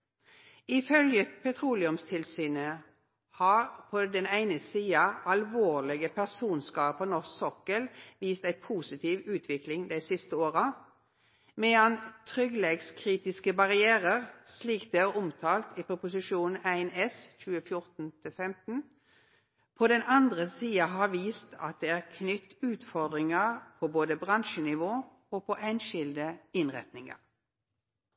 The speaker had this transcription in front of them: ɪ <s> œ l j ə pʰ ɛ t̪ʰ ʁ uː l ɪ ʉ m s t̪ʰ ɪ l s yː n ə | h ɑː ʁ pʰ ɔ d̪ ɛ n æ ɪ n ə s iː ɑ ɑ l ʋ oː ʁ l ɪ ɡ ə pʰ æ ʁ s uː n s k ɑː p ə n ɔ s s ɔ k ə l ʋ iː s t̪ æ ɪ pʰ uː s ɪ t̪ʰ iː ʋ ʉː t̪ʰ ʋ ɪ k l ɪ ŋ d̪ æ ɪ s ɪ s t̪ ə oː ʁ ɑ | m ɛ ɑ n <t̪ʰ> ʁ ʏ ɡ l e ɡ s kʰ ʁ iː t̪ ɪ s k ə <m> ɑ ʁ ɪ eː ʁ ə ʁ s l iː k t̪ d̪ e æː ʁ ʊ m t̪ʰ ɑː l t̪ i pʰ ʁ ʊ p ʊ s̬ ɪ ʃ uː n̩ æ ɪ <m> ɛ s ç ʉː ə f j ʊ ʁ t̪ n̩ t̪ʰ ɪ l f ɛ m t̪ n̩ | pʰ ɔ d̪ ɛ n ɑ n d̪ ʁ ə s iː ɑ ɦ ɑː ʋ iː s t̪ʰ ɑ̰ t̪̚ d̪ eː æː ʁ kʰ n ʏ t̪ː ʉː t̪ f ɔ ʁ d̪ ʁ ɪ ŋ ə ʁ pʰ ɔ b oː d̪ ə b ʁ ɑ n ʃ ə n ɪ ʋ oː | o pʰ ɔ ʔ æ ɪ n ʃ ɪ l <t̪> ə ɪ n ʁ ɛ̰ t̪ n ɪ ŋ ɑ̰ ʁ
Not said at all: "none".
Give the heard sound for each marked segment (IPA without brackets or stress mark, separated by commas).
f, t̪ʰ, b, n, d̪